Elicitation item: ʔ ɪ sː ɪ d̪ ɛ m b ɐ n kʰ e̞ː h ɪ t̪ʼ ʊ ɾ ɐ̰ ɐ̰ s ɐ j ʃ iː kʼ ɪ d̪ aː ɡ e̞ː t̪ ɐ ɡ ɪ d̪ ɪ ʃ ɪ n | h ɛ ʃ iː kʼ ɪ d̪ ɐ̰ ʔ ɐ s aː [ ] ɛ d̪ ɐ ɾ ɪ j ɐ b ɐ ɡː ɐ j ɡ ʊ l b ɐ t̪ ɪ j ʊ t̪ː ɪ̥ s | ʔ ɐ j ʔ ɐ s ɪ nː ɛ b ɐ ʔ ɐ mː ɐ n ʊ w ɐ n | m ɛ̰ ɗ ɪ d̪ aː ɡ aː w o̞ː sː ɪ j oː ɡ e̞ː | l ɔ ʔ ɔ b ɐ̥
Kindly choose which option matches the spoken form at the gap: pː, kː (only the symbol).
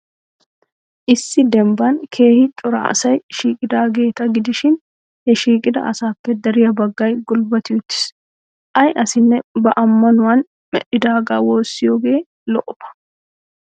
kː